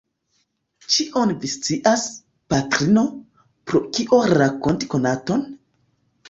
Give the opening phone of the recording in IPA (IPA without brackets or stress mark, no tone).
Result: t͡ʃ